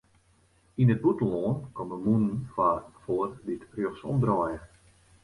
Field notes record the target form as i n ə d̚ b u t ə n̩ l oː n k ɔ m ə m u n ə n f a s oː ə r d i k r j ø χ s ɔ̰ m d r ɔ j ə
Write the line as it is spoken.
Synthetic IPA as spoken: i n ə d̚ b u t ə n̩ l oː n k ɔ m ə m u n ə n f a f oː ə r d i t r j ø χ s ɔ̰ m d r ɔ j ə